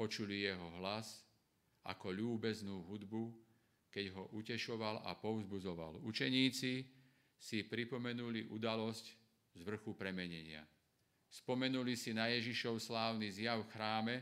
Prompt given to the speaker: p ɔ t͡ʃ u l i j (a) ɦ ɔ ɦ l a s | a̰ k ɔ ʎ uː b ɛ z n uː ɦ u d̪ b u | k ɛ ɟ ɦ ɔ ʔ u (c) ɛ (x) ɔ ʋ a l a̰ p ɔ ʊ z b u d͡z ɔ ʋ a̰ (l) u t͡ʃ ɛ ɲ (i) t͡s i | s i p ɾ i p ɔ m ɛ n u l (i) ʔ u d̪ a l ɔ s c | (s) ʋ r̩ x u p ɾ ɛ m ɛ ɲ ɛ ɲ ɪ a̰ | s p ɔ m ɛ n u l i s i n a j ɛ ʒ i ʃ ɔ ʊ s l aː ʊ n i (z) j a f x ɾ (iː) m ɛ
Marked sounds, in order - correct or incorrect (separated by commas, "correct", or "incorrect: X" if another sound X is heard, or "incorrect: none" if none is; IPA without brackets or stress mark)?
incorrect: ɛ, correct, incorrect: ʃ, correct, incorrect: iː, correct, incorrect: z, correct, incorrect: aː